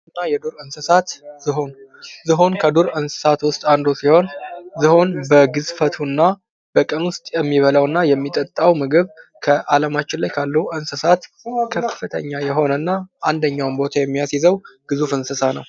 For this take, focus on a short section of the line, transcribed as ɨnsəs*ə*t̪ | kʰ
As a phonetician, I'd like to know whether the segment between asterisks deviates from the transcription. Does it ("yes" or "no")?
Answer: yes